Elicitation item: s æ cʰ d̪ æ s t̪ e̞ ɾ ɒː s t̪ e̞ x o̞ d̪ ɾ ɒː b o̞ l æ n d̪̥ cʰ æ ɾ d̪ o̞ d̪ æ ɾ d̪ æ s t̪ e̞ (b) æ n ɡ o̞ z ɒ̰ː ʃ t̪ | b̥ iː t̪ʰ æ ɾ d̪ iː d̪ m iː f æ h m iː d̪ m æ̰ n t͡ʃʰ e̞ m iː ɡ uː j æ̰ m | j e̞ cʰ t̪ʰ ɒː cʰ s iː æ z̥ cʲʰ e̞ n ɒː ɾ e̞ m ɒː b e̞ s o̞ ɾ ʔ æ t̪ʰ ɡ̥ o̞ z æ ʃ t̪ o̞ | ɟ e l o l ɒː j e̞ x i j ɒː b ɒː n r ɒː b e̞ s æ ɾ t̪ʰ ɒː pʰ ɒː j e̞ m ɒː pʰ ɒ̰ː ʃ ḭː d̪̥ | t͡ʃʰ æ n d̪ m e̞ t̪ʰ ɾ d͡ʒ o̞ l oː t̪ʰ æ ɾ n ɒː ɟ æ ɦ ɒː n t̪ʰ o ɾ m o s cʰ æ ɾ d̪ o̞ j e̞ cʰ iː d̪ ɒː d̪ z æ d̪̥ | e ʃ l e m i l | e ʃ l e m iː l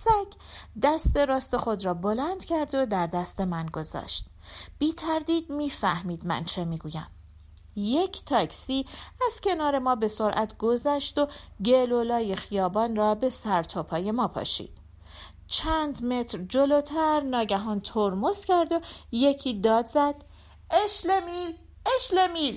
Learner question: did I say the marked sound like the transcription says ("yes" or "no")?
no